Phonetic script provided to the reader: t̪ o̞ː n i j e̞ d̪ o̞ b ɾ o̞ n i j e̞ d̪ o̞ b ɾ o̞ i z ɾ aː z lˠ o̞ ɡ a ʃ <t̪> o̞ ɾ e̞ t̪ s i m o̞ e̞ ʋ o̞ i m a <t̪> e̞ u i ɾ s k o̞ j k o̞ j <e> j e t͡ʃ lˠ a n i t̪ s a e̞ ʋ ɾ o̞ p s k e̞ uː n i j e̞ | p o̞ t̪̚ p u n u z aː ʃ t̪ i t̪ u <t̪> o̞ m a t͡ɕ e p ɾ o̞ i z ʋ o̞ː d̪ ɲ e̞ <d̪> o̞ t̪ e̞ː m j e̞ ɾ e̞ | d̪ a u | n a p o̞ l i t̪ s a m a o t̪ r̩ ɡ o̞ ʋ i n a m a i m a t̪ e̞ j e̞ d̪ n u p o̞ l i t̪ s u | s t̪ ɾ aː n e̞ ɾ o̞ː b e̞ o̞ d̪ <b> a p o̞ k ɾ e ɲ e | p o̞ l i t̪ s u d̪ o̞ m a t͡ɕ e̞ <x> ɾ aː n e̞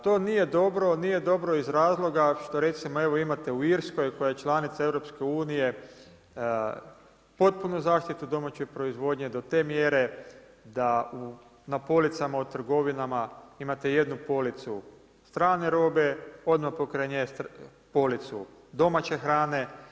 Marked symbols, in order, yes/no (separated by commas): yes, yes, no, no, yes, no, yes